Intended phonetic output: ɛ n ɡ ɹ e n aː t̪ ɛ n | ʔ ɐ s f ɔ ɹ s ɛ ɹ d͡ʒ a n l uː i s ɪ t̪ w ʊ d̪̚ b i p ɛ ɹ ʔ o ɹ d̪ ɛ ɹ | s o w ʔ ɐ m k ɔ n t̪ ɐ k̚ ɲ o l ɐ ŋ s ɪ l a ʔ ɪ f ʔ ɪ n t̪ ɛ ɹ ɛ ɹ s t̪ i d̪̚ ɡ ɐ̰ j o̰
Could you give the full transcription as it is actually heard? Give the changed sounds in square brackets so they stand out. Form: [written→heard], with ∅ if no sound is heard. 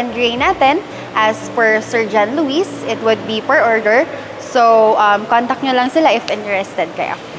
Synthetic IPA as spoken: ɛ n ɡ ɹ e n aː t̪ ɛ n | ʔ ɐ s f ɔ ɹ s ɛ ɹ d͡ʒ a n l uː i s ɪ t̪ w ʊ d̪̚ b i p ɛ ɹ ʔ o ɹ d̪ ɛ ɹ | s o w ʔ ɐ m k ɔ n t̪ ɐ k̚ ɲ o l ɐ ŋ s ɪ l a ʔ ɪ f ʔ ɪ n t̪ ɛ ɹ ɛ [ɹ→∅] s t̪ [i→ɛ] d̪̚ [ɡ→k] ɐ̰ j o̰